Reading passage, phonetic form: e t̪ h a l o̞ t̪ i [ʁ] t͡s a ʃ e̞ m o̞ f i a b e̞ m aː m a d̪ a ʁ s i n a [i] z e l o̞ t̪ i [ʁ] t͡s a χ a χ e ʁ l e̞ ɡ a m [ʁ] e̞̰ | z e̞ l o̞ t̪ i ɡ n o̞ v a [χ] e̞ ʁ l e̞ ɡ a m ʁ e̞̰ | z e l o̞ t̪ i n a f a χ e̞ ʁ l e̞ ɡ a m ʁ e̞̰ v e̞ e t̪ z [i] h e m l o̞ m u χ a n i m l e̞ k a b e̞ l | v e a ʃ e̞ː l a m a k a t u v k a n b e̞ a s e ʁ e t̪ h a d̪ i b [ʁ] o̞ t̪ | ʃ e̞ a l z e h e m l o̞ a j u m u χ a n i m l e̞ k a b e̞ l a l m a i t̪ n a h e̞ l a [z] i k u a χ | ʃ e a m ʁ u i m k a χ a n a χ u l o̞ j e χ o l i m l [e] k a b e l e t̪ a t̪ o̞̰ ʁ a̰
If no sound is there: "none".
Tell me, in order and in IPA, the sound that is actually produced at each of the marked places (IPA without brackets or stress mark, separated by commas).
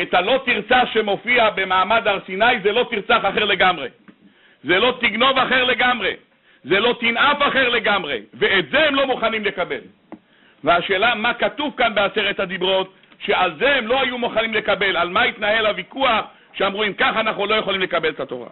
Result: ʁ, j, ʁ, ʁ, χ, e, ʁ, v, e